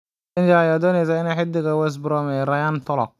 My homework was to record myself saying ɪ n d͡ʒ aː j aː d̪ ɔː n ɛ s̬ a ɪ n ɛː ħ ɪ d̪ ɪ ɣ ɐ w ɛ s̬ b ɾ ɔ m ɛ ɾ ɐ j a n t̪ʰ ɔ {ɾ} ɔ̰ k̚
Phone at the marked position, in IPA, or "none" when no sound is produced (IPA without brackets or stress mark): l